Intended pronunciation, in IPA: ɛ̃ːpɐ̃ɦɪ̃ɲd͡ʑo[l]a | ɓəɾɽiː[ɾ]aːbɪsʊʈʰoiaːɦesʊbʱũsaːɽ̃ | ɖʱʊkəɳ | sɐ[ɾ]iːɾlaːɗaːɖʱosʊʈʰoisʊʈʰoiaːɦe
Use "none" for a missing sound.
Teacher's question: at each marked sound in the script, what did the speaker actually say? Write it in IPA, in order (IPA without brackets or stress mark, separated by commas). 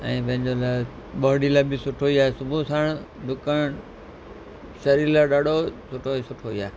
l, l, ɾ